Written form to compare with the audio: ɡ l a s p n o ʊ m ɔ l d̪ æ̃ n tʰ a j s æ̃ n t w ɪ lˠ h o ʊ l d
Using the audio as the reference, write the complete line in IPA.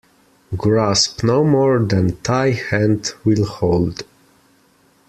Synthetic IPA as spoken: ɡ ɹ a s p n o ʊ m ɔ ɹ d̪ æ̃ n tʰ a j h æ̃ n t w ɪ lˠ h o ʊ l d